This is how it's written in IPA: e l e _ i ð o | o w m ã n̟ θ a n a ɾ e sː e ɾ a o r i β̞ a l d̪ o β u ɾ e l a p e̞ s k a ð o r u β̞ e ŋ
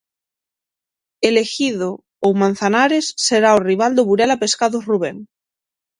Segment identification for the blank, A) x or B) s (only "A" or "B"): A